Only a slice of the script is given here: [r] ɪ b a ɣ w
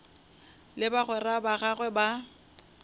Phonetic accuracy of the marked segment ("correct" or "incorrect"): incorrect